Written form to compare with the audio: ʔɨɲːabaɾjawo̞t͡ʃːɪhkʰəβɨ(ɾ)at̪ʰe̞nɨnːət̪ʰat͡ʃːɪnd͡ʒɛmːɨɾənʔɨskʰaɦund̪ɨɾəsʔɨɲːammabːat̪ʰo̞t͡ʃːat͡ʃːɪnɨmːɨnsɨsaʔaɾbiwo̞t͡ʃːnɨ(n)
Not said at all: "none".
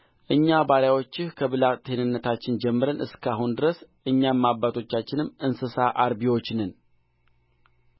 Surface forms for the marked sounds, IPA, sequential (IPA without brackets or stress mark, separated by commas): l, n